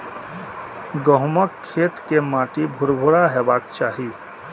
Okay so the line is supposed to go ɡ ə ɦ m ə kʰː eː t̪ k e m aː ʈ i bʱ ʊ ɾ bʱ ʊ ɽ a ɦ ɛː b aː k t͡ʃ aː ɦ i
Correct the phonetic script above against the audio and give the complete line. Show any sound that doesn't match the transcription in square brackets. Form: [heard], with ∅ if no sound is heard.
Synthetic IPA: ɡ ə ɦ m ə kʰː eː t̪ k e m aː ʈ i bʱ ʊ ɾ bʱ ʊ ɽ a ɦ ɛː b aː k t͡ʃ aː ɦ i